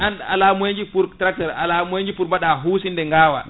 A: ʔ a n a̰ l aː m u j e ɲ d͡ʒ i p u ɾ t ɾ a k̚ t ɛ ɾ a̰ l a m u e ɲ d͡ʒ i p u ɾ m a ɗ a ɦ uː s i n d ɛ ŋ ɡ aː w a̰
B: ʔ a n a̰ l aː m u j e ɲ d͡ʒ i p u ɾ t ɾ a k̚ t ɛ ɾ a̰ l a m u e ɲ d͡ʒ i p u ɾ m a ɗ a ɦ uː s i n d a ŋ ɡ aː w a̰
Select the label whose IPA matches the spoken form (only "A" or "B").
A